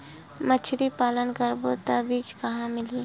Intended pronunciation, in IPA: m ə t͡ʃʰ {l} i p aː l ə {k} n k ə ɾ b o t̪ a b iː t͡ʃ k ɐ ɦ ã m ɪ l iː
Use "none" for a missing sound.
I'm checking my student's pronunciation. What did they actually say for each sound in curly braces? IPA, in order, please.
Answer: ɾ, none

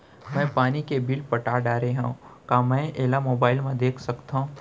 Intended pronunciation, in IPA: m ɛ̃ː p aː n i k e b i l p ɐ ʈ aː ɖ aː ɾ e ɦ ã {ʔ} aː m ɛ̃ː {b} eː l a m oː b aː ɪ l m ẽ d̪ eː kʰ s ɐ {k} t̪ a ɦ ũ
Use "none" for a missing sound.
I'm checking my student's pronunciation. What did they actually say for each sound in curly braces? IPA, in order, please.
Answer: k, none, k

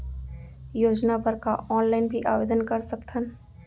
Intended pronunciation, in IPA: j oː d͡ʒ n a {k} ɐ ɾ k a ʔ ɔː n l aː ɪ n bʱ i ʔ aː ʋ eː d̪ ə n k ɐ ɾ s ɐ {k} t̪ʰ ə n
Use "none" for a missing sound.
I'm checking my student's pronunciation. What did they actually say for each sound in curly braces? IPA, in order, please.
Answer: p, k

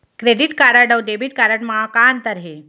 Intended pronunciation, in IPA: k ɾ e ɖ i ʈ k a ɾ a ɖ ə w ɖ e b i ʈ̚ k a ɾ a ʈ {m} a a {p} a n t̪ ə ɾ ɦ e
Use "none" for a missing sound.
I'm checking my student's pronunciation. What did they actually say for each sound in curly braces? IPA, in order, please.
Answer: m, k

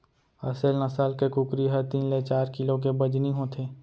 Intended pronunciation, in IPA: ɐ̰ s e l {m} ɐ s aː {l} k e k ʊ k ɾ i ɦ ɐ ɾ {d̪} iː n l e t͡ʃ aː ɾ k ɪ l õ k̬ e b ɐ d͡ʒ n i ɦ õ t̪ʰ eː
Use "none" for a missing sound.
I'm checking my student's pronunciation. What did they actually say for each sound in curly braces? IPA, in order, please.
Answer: n, l, t̪

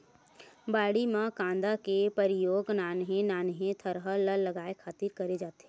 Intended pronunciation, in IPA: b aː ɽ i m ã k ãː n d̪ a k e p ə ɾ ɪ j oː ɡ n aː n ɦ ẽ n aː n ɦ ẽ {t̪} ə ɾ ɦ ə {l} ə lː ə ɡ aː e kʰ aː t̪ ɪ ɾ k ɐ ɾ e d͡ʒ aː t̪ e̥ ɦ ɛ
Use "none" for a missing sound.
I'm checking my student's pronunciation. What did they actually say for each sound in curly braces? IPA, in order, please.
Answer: t̪ʰ, l

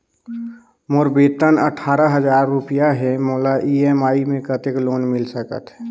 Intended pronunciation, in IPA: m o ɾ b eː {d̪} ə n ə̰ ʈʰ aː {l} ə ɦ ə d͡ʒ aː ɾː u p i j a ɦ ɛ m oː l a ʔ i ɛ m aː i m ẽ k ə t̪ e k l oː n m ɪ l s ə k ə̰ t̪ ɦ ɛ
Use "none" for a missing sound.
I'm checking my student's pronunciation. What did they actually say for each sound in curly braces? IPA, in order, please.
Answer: t̪, ɾ

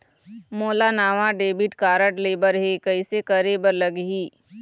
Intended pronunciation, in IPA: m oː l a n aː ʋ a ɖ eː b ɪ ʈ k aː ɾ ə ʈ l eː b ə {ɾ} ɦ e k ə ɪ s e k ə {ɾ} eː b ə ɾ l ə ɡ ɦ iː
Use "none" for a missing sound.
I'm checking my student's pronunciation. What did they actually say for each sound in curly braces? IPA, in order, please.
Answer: ɾ, ɾ

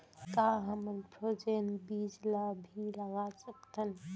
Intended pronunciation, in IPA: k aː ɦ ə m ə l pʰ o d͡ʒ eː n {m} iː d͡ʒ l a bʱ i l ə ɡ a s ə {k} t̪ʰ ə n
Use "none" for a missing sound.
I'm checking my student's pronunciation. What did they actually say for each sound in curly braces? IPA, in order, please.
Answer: b, k

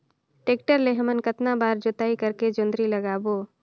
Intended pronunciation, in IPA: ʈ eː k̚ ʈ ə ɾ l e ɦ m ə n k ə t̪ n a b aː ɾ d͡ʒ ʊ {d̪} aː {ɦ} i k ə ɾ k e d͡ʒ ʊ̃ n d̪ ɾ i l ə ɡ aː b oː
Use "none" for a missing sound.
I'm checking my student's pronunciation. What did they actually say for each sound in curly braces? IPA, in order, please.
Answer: t̪, none

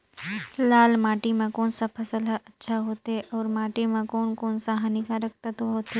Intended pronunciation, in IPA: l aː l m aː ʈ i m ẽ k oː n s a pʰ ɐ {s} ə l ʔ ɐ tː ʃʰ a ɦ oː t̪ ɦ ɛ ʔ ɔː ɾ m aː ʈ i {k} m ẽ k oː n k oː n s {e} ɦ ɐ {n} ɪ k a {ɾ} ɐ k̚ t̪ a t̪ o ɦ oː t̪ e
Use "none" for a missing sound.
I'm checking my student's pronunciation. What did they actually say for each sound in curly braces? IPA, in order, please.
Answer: s, none, a, n, ɾ

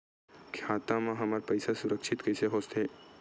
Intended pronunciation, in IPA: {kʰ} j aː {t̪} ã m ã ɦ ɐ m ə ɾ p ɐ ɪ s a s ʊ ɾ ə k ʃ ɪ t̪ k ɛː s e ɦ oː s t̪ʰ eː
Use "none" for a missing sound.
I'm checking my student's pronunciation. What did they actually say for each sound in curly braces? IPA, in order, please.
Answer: kʰ, t̪

